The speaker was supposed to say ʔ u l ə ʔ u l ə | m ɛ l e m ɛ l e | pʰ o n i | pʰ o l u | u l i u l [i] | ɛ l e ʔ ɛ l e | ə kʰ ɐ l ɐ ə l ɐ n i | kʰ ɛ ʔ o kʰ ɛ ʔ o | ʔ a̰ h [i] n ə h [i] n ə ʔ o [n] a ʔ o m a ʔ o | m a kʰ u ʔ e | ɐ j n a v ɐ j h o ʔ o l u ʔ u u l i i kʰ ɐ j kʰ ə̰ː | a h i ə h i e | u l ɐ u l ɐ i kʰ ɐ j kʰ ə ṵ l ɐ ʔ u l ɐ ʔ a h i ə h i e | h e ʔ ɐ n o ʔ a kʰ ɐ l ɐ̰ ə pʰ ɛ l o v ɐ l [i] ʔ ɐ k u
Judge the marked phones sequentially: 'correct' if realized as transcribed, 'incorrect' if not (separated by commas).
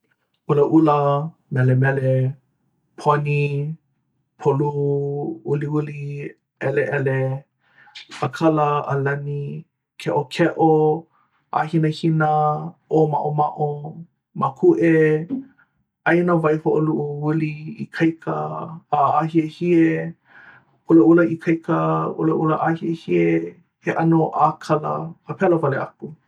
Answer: correct, correct, correct, incorrect, incorrect